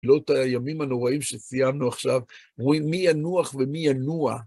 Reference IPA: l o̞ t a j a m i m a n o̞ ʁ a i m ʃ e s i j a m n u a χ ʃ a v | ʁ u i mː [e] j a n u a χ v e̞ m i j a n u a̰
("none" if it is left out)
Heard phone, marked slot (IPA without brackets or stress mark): i